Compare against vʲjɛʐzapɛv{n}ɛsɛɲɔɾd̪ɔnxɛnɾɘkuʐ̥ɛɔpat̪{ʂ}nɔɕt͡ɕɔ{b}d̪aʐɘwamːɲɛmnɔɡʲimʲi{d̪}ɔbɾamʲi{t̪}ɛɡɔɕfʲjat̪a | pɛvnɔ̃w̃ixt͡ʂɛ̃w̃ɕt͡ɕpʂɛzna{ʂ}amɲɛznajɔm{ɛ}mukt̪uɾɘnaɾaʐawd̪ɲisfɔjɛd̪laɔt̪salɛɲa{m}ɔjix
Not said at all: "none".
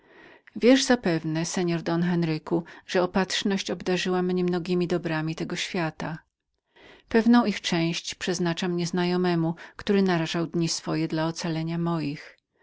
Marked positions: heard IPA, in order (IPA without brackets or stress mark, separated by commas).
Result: n, ʂ, b, d̪, t̪, t͡ʂ, ɛ, m